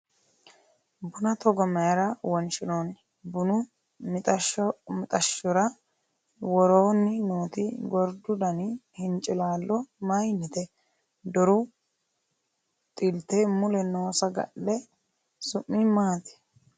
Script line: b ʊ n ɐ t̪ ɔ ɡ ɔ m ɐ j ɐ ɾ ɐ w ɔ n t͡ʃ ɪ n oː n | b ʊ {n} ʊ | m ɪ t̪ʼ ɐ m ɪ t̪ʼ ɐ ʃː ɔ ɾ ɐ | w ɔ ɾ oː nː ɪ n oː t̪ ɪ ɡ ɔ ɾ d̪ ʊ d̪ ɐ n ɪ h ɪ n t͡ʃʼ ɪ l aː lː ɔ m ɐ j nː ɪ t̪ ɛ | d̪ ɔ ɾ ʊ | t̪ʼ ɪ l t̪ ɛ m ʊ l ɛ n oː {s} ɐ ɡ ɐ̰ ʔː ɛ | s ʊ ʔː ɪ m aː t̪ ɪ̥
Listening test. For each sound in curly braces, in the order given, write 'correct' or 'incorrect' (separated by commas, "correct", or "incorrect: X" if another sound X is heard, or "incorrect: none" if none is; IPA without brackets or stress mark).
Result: correct, correct